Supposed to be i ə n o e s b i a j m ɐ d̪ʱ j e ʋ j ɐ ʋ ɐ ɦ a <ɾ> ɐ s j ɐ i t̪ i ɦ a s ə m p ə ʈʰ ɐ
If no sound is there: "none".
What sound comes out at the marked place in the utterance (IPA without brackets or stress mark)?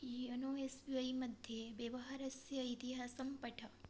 ɾ